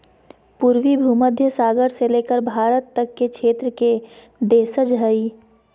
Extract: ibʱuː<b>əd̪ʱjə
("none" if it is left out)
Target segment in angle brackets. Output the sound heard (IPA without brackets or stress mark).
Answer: m